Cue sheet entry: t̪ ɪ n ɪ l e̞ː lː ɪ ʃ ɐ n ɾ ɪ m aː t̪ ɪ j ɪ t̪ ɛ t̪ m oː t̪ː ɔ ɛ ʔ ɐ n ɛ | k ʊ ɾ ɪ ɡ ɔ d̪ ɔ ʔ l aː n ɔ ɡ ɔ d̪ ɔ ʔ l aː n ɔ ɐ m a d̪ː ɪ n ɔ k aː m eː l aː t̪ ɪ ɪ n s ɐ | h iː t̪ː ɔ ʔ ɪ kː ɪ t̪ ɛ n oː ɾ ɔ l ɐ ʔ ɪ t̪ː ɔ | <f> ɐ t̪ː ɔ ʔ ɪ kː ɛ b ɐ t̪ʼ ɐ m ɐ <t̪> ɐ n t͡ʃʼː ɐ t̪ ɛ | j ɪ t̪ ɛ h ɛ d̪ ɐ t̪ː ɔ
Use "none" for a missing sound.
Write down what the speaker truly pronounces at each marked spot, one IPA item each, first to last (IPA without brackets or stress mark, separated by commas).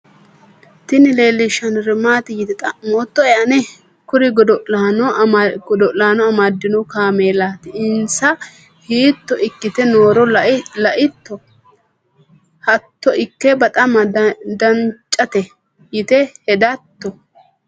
h, d̪